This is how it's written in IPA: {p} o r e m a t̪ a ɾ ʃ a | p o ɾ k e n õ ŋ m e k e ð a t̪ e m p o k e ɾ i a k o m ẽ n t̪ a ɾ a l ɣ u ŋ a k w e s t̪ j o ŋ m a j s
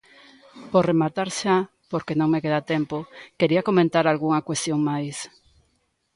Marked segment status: correct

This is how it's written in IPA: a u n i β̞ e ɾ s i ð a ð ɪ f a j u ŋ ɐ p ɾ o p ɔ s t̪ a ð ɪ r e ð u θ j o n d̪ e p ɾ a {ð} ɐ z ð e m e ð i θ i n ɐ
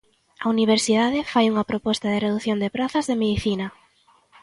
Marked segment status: incorrect: θ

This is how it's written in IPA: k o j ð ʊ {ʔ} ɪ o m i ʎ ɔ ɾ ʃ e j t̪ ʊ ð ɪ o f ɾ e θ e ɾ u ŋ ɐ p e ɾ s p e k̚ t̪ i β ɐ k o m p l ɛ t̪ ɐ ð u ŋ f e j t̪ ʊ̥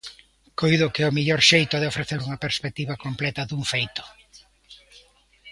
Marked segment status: incorrect: k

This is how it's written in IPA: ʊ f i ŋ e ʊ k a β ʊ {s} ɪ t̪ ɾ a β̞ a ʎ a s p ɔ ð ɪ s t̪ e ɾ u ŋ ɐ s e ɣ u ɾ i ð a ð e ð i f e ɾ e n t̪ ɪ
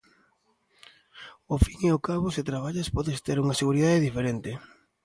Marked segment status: correct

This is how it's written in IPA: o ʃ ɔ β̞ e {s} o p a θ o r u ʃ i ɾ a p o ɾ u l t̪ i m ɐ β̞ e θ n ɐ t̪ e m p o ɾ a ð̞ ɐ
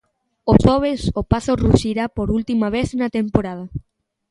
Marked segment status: correct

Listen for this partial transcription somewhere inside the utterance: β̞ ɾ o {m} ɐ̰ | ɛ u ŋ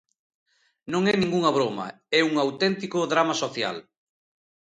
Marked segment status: correct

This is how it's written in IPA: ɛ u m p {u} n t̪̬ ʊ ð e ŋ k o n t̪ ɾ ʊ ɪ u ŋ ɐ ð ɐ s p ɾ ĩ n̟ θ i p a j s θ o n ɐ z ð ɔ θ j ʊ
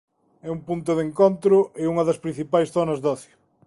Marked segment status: correct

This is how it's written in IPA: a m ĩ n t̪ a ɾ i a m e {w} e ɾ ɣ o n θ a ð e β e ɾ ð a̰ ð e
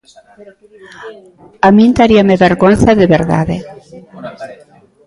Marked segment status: incorrect: β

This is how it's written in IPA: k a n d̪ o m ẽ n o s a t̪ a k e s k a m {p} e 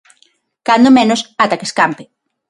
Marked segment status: correct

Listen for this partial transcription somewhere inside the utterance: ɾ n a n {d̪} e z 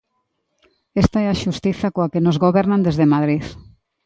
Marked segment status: correct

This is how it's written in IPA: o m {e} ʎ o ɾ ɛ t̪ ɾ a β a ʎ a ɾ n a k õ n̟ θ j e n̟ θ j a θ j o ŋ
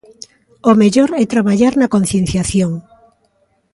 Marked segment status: correct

